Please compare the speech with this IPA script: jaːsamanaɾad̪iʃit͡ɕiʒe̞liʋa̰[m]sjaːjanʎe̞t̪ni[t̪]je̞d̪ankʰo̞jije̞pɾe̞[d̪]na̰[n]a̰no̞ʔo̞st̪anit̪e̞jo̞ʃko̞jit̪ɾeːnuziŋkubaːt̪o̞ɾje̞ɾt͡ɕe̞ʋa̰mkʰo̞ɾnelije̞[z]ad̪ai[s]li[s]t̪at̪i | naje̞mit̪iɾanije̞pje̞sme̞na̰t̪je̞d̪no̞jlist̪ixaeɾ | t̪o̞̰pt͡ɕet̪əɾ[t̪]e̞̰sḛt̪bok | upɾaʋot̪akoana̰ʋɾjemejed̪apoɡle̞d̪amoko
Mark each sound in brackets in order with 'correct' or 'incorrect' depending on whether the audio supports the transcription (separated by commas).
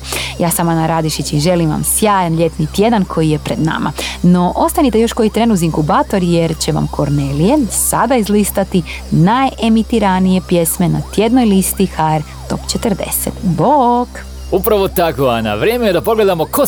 correct, correct, correct, incorrect, incorrect, incorrect, correct, incorrect